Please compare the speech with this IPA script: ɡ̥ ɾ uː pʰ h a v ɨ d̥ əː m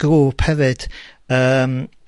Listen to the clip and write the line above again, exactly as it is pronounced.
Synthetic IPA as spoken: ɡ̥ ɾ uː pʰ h ɛ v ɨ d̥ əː m